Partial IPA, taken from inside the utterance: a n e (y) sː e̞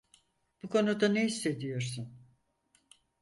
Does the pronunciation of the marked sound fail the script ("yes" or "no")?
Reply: yes